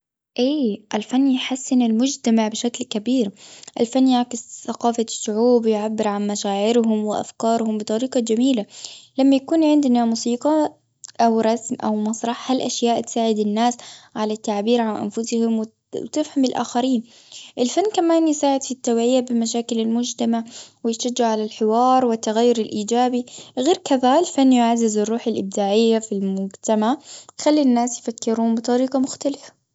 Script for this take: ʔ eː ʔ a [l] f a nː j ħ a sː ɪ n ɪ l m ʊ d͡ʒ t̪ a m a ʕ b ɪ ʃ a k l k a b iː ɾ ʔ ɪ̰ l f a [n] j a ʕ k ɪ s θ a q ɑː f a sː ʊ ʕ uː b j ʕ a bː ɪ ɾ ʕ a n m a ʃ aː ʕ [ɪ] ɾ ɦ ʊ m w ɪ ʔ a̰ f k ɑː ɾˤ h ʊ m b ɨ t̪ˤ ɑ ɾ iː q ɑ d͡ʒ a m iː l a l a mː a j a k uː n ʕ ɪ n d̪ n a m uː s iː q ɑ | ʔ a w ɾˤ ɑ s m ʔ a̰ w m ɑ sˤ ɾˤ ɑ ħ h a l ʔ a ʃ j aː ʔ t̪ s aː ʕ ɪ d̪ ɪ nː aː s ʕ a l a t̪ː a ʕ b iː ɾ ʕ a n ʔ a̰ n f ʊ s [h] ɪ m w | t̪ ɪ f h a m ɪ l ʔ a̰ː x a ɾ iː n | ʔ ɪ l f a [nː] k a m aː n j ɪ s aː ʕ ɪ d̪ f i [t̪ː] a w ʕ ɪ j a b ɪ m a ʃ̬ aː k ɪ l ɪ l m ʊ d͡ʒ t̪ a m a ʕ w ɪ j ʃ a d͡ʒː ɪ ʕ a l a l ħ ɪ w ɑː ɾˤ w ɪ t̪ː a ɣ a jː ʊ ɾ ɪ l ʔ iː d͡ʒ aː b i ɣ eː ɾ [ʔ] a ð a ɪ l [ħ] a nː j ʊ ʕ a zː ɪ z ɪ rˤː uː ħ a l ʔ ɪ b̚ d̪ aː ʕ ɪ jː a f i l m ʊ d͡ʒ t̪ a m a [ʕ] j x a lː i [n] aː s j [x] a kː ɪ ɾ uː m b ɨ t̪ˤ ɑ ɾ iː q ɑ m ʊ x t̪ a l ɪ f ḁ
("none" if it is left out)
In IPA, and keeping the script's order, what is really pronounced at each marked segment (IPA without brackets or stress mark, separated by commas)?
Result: l, nː, ɪ, h, nː, t̪ː, k, f, ʕ, nː, f